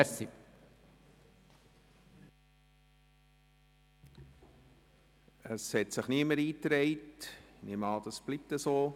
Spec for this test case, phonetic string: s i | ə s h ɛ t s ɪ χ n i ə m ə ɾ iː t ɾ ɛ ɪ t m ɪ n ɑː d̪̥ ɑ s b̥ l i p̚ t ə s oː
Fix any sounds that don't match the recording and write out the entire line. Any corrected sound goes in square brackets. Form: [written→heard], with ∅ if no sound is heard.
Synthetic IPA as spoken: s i | ə s h ɛ t s ɪ χ n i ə m ə ɾ iː t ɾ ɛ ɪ t [m→n] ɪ [n→m] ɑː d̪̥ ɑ s b̥ l i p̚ t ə s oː